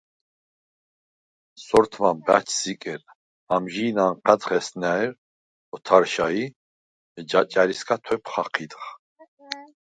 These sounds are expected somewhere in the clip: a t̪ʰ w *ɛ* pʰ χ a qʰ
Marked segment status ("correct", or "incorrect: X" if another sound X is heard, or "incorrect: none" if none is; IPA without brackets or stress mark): correct